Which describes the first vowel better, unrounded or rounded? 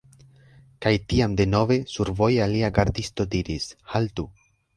unrounded